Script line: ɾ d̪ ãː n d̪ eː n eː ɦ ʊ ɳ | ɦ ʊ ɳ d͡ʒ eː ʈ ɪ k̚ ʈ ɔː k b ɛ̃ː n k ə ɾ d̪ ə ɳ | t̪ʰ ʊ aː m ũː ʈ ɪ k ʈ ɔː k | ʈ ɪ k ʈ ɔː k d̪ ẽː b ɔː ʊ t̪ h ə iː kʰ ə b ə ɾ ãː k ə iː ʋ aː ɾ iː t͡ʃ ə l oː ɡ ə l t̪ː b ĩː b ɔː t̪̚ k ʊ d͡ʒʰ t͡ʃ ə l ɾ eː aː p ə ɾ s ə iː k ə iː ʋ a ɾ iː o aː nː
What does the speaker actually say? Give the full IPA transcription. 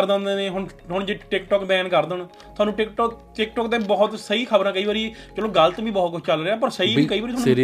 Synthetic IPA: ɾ d̪ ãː n d̪ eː n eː ɦ ʊ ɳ | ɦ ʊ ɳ d͡ʒ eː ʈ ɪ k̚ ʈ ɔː k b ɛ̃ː n k ə ɾ d̪ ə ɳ | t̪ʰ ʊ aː n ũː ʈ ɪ k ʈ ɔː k | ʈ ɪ k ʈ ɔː k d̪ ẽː b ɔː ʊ t̪ s ə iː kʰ ə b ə ɾ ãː k ə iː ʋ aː ɾ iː t͡ʃ ə l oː ɡ ə l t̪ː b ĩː b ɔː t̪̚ k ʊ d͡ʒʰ t͡ʃ ə l ɾ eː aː p ə ɾ s ə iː k ə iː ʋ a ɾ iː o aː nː